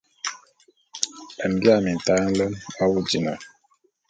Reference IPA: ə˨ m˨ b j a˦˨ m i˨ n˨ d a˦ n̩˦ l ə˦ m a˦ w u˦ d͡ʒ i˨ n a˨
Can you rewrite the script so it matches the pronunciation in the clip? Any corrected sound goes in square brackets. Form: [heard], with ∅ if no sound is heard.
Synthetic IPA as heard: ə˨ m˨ b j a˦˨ m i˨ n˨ [t] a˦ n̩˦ l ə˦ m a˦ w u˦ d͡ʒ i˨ n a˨